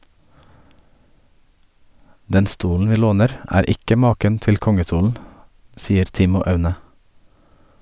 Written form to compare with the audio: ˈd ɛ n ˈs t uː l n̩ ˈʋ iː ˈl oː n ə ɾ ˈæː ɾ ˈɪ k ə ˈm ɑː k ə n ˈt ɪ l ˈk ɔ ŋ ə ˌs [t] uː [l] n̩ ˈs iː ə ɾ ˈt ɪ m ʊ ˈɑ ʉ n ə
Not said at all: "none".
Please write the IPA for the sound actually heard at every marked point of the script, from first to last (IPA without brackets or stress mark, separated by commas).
t, l